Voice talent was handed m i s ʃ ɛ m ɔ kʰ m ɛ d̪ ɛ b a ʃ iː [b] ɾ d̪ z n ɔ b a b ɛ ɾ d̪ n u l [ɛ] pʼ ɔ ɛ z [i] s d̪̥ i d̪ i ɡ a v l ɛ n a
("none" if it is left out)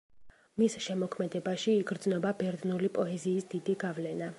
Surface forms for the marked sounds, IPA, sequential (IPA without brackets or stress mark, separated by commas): ɡ, i, iː